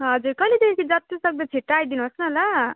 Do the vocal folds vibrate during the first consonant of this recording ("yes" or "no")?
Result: yes